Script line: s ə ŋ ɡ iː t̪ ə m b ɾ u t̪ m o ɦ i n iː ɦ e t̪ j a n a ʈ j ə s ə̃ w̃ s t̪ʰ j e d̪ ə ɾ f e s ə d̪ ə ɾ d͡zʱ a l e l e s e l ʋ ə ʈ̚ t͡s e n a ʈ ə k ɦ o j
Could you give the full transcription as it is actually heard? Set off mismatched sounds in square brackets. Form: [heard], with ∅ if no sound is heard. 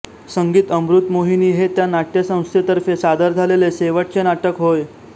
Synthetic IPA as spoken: s ə ŋ ɡ iː t̪ ə m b ɾ u t̪ m o ɦ i n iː ɦ e t̪ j a n a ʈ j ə s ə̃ w̃ s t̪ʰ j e [t̪] ə ɾ f e s [a] d̪ ə ɾ d͡zʱ a l e l e s e [∅] ʋ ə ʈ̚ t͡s e n a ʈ ə k ɦ o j